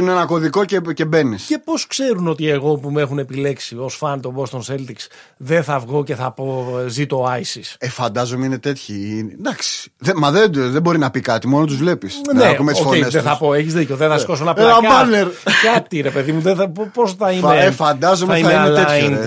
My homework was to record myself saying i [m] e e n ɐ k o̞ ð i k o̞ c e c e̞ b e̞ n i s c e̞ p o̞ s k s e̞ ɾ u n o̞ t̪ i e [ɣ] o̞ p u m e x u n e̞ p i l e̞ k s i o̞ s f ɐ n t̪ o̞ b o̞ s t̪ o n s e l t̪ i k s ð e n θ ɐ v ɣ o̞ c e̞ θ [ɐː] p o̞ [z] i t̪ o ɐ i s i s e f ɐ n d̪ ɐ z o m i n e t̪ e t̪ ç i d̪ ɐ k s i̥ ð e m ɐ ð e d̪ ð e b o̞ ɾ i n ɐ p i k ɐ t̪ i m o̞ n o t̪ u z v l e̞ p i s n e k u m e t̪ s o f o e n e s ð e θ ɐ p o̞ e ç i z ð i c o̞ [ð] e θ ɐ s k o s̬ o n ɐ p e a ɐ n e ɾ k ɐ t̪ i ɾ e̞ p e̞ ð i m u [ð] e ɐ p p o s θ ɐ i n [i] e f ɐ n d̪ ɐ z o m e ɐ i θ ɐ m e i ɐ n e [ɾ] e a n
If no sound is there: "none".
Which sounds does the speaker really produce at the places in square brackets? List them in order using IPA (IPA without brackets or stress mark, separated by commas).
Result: n, ɣ, ɐ, z, ð, ð, e, l